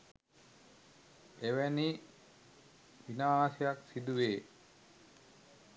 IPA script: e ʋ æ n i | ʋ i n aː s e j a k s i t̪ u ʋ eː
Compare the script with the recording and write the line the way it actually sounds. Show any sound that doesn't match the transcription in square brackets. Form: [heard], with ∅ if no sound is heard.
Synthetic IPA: e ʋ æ n i | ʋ i n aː s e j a k s i [d̪] u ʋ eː